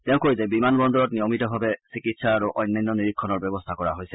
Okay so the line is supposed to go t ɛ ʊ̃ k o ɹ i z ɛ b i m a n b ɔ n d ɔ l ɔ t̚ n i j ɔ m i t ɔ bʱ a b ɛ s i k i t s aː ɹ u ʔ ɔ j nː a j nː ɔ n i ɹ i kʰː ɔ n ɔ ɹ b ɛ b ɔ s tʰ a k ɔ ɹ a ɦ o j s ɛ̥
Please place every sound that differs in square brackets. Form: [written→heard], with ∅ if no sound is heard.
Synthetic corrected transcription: t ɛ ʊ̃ k o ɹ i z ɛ b i m a n b ɔ n d ɔ [l→ɹ] ɔ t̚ n i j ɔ m i t ɔ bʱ a b ɛ s i k i t s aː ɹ u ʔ ɔ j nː a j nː ɔ n i ɹ i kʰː ɔ n ɔ ɹ b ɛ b ɔ s tʰ a k ɔ ɹ a ɦ o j s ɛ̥